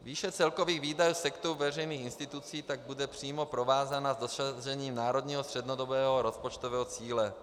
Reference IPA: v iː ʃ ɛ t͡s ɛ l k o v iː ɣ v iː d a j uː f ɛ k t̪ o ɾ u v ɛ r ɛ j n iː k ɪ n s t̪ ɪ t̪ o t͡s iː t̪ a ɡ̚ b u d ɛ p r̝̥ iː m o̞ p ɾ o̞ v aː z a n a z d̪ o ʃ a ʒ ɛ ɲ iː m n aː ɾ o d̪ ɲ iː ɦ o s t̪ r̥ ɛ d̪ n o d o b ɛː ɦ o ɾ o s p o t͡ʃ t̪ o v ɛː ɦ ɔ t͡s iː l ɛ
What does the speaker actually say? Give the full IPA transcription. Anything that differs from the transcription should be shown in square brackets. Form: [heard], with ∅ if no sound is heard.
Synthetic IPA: v iː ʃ ɛ t͡s ɛ l k o v iː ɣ v iː d a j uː [s] ɛ k t̪ o ɾ u v ɛ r ɛ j n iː [x] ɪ n s t̪ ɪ t̪ [u] t͡s iː t̪ a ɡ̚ b u d ɛ p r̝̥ iː m o̞ p ɾ o̞ v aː z a n a z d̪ o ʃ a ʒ ɛ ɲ iː m n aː ɾ o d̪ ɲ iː ɦ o s t̪ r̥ ɛ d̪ n o d o b ɛː ɦ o ɾ o s p o t͡ʃ t̪ o v ɛː ɦ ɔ t͡s iː l ɛ

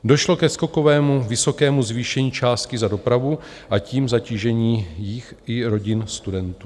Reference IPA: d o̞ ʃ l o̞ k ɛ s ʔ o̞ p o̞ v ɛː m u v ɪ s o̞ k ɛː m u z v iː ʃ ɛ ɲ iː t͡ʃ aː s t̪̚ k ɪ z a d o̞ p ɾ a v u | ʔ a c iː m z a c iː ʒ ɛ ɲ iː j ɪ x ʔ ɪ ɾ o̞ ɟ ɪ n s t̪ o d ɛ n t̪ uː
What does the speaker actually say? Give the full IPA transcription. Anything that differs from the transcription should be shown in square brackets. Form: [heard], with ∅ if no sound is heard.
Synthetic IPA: d o̞ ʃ l o̞ k ɛ s [k] o̞ [k] o̞ v ɛː m u v ɪ s o̞ k ɛː m u z v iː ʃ ɛ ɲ iː t͡ʃ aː s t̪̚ k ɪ z a d o̞ p ɾ a v u | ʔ a c iː m z a c iː ʒ ɛ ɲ iː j ɪ x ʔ ɪ ɾ o̞ ɟ ɪ n s t̪ [u] d ɛ n t̪ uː

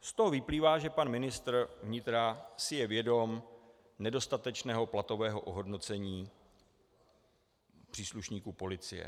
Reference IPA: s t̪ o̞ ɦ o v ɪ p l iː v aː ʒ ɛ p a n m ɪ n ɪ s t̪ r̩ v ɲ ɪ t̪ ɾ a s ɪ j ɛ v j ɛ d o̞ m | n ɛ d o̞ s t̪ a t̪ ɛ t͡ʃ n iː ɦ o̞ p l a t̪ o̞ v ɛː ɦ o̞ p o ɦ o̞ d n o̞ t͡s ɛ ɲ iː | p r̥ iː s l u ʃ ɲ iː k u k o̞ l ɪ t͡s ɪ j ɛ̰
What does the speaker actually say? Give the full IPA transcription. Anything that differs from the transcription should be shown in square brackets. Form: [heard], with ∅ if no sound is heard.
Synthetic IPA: s t̪ o̞ ɦ o v ɪ p l iː v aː ʒ ɛ p a n m ɪ n ɪ s t̪ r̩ v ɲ ɪ t̪ ɾ a s ɪ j ɛ v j ɛ d o̞ m | n ɛ d o̞ s t̪ a t̪ ɛ t͡ʃ n [ɛː] ɦ o̞ p l a t̪ o̞ v ɛː ɦ o̞ [ʔ] o ɦ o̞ d n o̞ t͡s ɛ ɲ iː | p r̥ iː s l u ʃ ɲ iː k u [p] o̞ l ɪ t͡s ɪ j ɛ̰

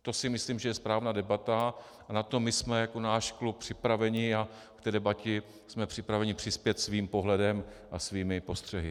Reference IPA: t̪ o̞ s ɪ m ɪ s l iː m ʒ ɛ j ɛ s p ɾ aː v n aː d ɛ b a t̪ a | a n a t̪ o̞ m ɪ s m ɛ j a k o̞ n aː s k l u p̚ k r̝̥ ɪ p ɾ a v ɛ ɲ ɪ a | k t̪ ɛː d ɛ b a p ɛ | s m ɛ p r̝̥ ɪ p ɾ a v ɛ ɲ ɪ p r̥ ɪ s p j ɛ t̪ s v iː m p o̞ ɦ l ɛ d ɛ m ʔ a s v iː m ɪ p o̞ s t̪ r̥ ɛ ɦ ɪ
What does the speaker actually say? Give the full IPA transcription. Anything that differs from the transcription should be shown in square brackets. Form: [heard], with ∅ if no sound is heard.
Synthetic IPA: t̪ o̞ s ɪ m ɪ s l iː m ʒ ɛ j ɛ s p ɾ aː v n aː d ɛ b a t̪ a | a n a t̪ o̞ m ɪ s m ɛ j a k o̞ n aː [ʃ] k l u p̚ [p] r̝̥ ɪ p ɾ a v ɛ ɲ ɪ a | k t̪ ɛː d ɛ b a [c] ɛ | s m ɛ p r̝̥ ɪ p ɾ a v ɛ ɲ ɪ p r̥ ɪ s p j ɛ t̪ s v iː m p o̞ ɦ l ɛ d ɛ m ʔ a s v iː m ɪ p o̞ s t̪ r̥ ɛ ɦ ɪ

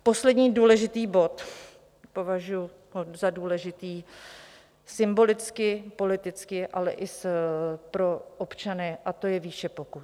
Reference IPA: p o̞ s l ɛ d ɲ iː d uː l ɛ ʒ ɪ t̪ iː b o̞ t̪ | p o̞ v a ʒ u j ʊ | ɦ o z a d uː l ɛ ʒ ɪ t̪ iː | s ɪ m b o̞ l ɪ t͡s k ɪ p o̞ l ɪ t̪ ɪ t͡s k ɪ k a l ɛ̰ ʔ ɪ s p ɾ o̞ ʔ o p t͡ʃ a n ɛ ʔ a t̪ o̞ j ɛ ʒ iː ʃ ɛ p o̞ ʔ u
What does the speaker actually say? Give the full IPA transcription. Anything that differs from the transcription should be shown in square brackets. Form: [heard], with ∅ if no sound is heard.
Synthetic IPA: p o̞ s l ɛ d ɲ iː d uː l ɛ ʒ ɪ t̪ iː b o̞ t̪ | p o̞ v a ʒ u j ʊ | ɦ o z a d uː l ɛ ʒ ɪ t̪ iː | s ɪ m b o̞ l ɪ t͡s k ɪ p o̞ l ɪ t̪ ɪ t͡s k ɪ [ʔ] a l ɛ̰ ʔ ɪ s p ɾ o̞ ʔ o p t͡ʃ a n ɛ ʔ a t̪ o̞ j ɛ [v] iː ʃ ɛ p o̞ [k] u

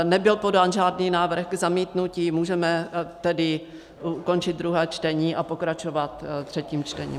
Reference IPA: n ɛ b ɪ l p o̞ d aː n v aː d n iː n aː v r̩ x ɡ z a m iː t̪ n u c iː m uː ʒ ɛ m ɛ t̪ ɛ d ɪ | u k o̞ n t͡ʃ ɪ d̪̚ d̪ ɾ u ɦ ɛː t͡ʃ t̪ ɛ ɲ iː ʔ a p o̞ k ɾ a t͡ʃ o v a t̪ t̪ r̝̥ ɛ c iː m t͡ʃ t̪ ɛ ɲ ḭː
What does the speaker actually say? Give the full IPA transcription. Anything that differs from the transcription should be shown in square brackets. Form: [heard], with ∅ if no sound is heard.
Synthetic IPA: n ɛ b ɪ l p o̞ d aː n [ʒ] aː d n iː n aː v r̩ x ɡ z a m iː t̪ n u c iː m uː ʒ ɛ m ɛ t̪ ɛ d ɪ | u k o̞ n t͡ʃ ɪ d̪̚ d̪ ɾ u ɦ ɛː t͡ʃ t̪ ɛ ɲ iː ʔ a p o̞ k ɾ a t͡ʃ o v a t̪ t̪ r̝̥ ɛ c iː m t͡ʃ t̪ ɛ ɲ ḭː

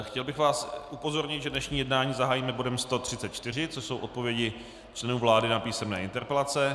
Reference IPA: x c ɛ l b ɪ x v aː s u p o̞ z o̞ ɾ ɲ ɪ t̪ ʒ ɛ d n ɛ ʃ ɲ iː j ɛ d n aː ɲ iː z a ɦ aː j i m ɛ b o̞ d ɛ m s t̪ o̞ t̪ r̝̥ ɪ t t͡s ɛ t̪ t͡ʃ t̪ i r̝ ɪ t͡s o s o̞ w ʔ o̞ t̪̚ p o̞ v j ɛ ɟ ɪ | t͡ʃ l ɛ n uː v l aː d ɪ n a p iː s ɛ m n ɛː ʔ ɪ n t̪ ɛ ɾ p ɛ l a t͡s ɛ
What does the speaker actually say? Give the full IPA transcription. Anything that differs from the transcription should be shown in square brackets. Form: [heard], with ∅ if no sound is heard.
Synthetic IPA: x c ɛ l b ɪ x v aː s u p o̞ z o̞ ɾ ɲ ɪ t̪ ʒ ɛ d n ɛ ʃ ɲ iː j ɛ d n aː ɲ iː z a ɦ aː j i m ɛ b o̞ d ɛ m s t̪ o̞ t̪ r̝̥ ɪ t t͡s ɛ t̪ t͡ʃ t̪ [ɪ] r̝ ɪ t͡s o s o̞ w ʔ o̞ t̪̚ p o̞ v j ɛ ɟ ɪ | t͡ʃ l ɛ n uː v l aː d ɪ n a p iː s ɛ m n ɛː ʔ ɪ n t̪ ɛ ɾ p ɛ l a t͡s ɛ

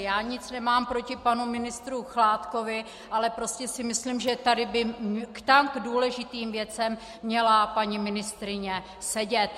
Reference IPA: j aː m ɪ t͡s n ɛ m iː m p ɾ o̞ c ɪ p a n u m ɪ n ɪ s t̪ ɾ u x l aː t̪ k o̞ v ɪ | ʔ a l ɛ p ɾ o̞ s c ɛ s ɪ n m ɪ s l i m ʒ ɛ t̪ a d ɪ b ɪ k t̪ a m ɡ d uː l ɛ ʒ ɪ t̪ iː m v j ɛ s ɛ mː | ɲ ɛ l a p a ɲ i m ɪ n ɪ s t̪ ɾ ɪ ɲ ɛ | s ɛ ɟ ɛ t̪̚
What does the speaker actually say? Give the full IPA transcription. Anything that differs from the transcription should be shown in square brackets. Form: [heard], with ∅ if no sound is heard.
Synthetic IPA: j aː [ɲ] ɪ t͡s n ɛ m [aː] m p ɾ o̞ c ɪ p a n u m ɪ n ɪ s t̪ ɾ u x l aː t̪ k o̞ v ɪ | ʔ a l ɛ p ɾ o̞ s c ɛ s ɪ [∅] m ɪ s l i m ʒ ɛ t̪ a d ɪ b ɪ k t̪ a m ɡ d uː l ɛ ʒ ɪ t̪ iː m v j ɛ [t͡s] ɛ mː | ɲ ɛ l a p a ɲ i m ɪ n ɪ s t̪ ɾ ɪ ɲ ɛ | s ɛ ɟ ɛ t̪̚

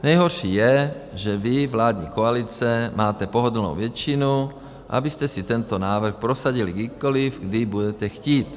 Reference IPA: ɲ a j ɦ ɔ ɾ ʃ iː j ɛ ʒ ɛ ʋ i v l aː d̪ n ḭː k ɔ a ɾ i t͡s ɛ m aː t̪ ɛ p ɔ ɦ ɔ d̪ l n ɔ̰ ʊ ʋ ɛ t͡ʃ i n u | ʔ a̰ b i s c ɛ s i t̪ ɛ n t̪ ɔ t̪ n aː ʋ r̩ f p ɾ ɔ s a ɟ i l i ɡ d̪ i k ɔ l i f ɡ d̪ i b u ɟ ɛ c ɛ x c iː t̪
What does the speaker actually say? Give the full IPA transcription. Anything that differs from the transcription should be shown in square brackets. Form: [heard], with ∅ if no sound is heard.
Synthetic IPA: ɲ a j ɦ ɔ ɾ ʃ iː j ɛ ʒ ɛ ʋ i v l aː d̪ [ɲ] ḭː k ɔ a [l] i t͡s ɛ m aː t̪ ɛ p ɔ ɦ ɔ d̪ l n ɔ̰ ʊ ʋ ɛ t͡ʃ i n u | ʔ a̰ b i s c ɛ s i t̪ ɛ n t̪ ɔ [∅] n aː ʋ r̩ [x] p ɾ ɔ s a ɟ i l i ɡ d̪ i k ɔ l i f ɡ d̪ i b u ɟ ɛ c ɛ x c iː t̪

